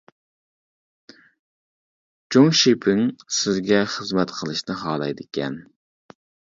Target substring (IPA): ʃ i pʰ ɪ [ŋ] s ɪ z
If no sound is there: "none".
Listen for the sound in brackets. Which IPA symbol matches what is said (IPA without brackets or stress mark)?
ŋ